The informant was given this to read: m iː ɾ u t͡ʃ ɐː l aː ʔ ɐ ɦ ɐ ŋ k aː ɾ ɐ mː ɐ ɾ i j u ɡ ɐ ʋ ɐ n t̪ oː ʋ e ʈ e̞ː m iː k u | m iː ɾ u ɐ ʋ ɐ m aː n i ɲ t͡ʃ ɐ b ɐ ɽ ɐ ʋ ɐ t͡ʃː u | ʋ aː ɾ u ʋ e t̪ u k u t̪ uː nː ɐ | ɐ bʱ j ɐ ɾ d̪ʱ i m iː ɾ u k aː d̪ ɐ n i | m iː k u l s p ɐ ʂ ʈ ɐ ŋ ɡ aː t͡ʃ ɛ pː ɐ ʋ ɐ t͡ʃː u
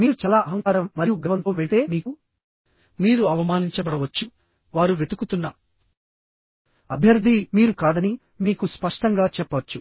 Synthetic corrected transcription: m iː ɾ u t͡ʃ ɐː l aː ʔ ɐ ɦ ɐ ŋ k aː ɾ ɐ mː ɐ ɾ i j u ɡ ɐ ʋ ɐ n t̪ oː ʋ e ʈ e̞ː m iː k u | m iː ɾ u ɐ ʋ ɐ m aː n i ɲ t͡ʃ ɐ b ɐ ɽ ɐ ʋ ɐ t͡ʃː u | ʋ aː ɾ u ʋ e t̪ u k u t̪ u nː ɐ | ɐ bʱ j ɐ ɾ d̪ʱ i m iː ɾ u k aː d̪ ɐ n i | m iː k u s p ɐ ʂ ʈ ɐ ŋ ɡ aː t͡ʃ ɛ pː ɐ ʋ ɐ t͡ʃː u